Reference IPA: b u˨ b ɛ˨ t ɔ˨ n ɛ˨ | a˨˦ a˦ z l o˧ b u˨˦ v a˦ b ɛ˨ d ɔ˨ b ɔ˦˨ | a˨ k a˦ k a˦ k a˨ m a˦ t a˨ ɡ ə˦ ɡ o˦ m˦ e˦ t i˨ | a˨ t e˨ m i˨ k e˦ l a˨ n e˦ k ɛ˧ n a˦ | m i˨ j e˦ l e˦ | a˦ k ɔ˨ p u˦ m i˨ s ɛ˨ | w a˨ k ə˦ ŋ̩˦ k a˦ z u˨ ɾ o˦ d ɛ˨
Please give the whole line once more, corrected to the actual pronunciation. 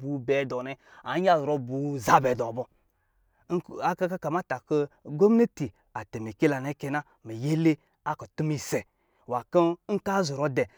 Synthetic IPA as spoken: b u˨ b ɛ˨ d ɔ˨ n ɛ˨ | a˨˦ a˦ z ɾ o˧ b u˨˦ z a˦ b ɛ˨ d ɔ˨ b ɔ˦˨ | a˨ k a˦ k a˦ k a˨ m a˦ t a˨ k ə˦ ɡ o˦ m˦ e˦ t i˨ | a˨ t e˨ m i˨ k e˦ l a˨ n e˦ k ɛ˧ n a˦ | m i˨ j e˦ l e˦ | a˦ k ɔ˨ t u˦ m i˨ s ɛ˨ | w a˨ k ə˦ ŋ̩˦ k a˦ z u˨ ɾ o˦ d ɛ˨